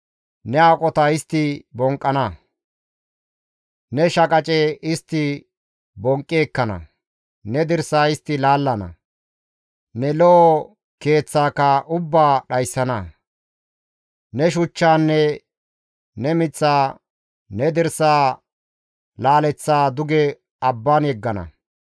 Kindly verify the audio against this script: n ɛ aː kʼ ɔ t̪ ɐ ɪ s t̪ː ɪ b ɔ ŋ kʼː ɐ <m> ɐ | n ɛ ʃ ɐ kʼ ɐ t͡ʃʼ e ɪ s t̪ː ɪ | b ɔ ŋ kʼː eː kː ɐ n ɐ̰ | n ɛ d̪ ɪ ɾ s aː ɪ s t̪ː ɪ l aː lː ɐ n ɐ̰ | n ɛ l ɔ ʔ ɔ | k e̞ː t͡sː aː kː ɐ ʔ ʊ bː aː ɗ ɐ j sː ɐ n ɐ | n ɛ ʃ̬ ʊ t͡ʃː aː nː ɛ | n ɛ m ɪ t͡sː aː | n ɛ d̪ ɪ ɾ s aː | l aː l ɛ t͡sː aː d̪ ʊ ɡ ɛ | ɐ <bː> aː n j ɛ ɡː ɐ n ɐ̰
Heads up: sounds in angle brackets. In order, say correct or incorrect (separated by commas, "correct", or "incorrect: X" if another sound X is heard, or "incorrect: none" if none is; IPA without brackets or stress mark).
incorrect: n, correct